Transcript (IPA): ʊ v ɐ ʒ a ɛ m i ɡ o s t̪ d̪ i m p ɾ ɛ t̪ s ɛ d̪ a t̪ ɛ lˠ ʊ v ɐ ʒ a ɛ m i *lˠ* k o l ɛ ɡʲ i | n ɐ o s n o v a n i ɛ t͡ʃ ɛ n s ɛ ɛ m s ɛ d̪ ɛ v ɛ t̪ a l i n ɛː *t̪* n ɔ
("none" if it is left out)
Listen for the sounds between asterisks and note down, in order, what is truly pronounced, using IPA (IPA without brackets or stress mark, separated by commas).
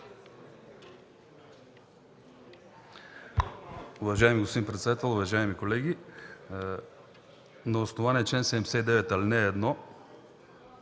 none, d̪